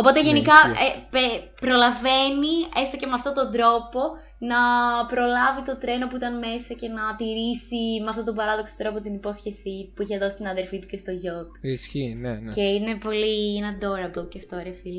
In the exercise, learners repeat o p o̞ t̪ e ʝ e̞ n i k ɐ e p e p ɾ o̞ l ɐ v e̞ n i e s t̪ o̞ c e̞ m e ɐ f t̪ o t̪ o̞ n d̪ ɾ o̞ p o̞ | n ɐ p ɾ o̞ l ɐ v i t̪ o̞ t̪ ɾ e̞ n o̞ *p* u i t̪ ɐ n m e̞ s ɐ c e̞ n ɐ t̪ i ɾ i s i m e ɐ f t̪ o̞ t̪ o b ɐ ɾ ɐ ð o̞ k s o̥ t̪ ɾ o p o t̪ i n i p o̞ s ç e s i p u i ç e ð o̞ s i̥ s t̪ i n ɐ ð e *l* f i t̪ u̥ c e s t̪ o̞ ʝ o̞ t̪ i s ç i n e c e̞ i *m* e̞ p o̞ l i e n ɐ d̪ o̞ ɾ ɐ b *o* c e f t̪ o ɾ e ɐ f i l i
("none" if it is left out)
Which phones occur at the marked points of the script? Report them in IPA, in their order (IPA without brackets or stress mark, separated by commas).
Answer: p, ɾ, n, o